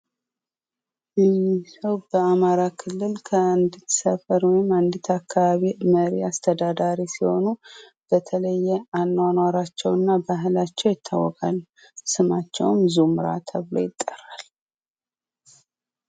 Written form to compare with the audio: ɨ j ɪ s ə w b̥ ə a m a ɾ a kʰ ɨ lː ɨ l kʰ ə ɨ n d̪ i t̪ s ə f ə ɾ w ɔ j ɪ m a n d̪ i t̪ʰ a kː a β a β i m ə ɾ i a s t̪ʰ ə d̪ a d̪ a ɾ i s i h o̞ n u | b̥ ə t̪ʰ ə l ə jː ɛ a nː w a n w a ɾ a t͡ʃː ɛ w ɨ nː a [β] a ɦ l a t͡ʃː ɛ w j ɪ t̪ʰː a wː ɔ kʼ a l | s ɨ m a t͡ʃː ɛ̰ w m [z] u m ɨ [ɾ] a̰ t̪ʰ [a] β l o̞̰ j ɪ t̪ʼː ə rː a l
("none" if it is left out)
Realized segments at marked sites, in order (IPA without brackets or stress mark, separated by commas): b, z, ɾ, ə